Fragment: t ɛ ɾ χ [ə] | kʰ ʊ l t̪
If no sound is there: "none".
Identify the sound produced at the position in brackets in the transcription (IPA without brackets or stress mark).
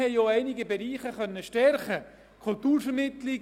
ə